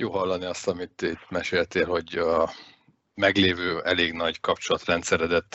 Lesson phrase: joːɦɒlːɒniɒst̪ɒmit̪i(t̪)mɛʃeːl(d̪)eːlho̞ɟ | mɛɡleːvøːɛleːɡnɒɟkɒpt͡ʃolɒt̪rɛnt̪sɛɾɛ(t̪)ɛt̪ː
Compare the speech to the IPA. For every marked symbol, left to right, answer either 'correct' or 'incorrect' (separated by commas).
correct, incorrect, incorrect